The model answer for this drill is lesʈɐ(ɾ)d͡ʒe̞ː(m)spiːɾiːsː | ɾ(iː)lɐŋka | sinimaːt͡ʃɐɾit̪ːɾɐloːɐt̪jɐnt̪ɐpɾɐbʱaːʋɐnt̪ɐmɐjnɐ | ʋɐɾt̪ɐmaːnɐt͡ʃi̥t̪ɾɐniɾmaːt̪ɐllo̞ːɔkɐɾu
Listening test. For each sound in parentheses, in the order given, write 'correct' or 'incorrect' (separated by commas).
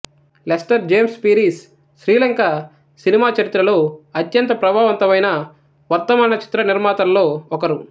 correct, correct, correct